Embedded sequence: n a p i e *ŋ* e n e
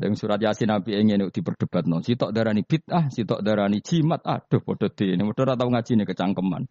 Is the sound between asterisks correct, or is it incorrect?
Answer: correct